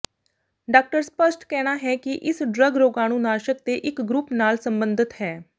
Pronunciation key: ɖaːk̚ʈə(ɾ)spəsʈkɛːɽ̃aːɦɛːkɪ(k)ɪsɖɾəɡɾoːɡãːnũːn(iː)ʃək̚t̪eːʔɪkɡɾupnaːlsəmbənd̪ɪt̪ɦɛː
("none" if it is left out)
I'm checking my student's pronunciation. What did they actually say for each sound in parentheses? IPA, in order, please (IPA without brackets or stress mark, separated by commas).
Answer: ɾ, ʔ, aː